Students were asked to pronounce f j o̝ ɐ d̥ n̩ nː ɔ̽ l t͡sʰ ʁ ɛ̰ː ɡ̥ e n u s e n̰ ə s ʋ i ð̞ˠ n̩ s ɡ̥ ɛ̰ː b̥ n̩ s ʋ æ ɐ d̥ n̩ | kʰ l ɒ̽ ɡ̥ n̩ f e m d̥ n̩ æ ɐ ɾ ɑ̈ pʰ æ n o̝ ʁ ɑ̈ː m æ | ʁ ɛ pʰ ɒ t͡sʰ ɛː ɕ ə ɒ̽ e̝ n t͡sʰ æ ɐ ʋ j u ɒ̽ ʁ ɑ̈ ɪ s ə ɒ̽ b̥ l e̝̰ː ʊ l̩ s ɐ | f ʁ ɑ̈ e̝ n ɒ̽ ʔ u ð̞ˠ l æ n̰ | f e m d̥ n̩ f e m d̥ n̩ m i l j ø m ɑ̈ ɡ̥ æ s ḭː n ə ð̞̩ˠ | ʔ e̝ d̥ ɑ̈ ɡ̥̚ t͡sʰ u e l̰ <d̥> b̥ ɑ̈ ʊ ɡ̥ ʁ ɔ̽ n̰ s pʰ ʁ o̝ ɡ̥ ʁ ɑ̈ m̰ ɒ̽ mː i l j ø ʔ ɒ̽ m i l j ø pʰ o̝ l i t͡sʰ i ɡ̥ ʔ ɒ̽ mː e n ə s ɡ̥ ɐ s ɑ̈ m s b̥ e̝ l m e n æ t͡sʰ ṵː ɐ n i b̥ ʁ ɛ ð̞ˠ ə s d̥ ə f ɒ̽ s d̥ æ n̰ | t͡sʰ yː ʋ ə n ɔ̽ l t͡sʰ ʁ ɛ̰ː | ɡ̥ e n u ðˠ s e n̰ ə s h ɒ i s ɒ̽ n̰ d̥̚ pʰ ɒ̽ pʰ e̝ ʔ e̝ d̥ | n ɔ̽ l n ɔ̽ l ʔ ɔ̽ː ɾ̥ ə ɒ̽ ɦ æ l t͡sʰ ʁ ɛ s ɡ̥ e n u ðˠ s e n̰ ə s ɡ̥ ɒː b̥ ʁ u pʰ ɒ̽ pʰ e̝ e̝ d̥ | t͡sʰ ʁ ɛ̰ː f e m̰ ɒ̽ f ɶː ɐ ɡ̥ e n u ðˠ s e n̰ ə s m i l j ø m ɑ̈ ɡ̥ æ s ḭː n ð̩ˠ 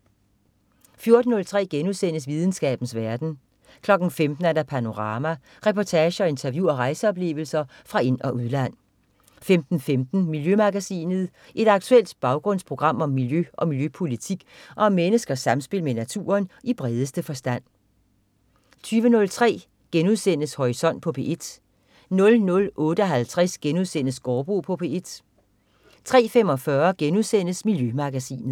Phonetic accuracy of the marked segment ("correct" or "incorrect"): correct